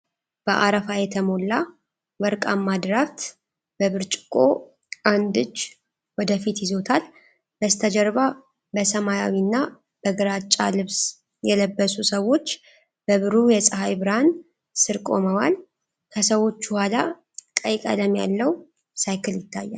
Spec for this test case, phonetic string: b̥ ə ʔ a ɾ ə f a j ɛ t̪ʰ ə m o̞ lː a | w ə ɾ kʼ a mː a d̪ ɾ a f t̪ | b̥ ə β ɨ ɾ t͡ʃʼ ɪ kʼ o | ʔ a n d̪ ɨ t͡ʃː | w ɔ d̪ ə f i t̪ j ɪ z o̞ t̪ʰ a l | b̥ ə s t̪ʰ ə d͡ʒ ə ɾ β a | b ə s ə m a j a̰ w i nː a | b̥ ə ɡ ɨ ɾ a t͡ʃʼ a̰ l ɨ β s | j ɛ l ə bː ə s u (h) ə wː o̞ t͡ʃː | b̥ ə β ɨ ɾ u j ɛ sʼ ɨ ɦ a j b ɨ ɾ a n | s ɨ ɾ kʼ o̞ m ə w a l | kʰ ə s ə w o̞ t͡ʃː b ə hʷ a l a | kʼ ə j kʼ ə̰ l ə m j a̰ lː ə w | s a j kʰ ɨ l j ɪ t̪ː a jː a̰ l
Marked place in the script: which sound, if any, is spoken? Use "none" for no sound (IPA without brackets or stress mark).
s